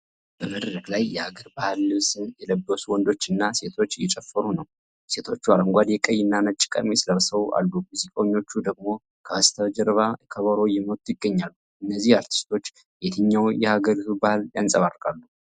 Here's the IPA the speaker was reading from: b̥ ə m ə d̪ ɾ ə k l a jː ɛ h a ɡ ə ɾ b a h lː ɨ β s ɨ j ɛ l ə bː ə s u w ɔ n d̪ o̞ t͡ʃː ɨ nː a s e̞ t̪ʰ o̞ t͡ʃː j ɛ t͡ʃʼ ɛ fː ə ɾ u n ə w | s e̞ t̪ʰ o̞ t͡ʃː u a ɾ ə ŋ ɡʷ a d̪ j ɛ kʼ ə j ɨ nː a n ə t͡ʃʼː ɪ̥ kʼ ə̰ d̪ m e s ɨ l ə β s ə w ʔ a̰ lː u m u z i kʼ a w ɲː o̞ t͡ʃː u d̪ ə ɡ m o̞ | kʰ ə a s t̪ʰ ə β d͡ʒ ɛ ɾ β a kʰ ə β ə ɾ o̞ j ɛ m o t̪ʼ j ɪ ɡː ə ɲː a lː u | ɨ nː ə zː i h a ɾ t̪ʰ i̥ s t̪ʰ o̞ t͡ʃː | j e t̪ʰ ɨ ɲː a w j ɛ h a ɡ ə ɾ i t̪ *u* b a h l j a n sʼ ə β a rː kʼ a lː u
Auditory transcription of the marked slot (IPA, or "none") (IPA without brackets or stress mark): u